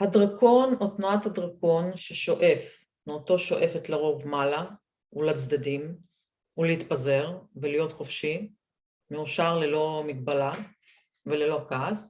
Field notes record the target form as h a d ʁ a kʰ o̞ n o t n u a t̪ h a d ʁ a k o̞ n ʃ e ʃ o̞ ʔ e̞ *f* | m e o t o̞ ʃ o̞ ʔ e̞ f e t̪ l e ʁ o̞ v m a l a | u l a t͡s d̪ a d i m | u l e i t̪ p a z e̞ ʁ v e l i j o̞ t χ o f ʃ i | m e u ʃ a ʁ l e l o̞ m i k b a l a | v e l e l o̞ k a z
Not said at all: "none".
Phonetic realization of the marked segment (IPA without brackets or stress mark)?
f